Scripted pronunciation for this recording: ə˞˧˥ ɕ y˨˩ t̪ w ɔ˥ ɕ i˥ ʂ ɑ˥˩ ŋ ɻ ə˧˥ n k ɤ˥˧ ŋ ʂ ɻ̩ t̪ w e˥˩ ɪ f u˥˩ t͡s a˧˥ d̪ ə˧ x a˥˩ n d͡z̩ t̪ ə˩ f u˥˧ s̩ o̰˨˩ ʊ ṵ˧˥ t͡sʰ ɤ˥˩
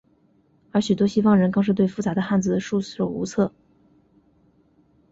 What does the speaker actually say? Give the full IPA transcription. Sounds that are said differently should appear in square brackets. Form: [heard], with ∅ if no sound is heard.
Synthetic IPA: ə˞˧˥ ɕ y˨˩ t̪ w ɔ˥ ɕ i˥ [f] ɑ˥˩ ŋ ɻ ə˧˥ n k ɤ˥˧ ŋ ʂ ɻ̩ t̪ w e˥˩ ɪ f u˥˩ t͡s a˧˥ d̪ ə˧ x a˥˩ n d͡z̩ [d̪] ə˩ [ʂ] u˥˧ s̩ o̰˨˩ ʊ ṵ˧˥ t͡sʰ ɤ˥˩